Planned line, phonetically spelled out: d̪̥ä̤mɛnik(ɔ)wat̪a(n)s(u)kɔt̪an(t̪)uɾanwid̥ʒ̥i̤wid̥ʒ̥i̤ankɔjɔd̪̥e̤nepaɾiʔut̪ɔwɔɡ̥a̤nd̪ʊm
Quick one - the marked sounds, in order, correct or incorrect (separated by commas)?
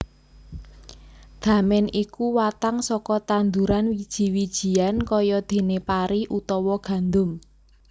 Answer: incorrect, incorrect, incorrect, incorrect